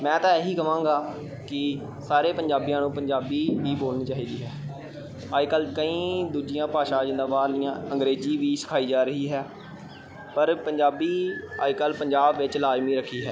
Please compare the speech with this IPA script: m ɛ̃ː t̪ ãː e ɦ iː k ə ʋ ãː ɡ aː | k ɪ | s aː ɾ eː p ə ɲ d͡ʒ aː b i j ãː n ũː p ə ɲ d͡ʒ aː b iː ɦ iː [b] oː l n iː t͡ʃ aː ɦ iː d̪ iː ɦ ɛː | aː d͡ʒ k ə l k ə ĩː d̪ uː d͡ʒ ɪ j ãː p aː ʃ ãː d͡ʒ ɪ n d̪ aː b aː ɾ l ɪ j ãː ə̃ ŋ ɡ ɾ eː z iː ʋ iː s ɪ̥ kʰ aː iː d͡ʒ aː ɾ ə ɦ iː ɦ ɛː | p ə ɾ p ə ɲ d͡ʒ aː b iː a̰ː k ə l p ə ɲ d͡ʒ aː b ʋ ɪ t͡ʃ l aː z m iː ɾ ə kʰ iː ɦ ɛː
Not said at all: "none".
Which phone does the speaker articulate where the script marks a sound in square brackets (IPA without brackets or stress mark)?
b